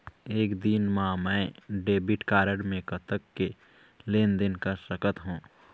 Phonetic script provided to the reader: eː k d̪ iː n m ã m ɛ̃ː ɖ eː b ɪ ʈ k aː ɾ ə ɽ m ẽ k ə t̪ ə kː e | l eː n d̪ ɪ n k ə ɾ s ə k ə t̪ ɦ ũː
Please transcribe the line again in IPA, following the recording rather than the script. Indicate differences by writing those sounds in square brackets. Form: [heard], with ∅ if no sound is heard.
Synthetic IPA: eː k d̪ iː n m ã m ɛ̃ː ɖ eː b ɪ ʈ k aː ɾ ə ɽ m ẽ k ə t̪ ə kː e | l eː n d̪ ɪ n k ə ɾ s ə k ə t̪ ɦ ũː